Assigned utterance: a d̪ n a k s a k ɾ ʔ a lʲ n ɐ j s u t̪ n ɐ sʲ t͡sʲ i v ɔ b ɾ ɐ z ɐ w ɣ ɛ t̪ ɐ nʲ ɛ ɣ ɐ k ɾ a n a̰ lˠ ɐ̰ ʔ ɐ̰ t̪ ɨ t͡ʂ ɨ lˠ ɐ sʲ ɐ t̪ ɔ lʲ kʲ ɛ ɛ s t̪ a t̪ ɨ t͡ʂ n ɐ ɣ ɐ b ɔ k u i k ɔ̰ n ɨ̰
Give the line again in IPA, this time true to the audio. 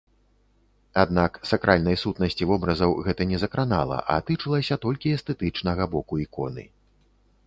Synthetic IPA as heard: a d̪ n a k s a k ɾ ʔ a lʲ n ɐ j s u t̪ n ɐ sʲ t͡sʲ i v ɔ b ɾ ɐ z ɐ w ɣ ɛ t̪ ɐ nʲ ɛ z ɐ k ɾ a n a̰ lˠ ɐ̰ ʔ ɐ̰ t̪ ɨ t͡ʂ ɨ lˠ ɐ sʲ ɐ t̪ ɔ lʲ kʲ i ɛ s t̪ ɛ t̪ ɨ t͡ʂ n ɐ ɣ ɐ b ɔ k u i k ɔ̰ n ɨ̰